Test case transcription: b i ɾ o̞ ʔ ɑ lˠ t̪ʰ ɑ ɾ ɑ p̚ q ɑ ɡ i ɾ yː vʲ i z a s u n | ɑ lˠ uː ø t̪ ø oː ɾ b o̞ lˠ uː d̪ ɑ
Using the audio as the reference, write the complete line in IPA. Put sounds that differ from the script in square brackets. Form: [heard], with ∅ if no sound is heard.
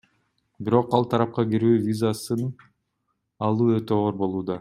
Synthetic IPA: b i ɾ o̞ [q] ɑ lˠ t̪ʰ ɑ ɾ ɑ p̚ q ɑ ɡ i ɾ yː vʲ i z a s [ɯ] n | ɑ lˠ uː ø t̪ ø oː ɾ b o̞ lˠ uː d̪ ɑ